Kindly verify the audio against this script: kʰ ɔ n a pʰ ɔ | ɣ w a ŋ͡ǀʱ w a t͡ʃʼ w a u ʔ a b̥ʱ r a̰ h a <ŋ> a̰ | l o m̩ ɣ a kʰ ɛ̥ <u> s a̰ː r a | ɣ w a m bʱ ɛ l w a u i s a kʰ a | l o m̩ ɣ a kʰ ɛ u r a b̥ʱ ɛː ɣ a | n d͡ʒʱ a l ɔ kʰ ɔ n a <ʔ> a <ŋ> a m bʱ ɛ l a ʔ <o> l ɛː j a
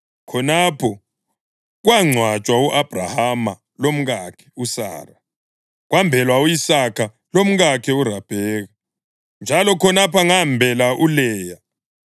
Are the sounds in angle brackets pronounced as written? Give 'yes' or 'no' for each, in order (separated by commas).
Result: no, yes, no, yes, no